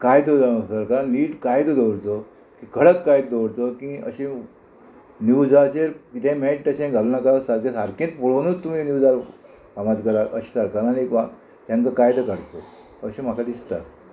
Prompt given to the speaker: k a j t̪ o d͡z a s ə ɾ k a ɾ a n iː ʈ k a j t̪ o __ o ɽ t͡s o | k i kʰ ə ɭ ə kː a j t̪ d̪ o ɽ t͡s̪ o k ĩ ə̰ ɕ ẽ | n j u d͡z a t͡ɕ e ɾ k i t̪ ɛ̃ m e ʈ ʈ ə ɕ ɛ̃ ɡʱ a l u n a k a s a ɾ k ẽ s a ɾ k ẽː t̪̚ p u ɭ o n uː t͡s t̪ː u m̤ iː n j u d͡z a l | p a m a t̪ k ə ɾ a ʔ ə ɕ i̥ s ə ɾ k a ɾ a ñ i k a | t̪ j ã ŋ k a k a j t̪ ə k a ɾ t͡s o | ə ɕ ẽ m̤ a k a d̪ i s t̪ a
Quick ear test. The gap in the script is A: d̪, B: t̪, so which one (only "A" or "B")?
A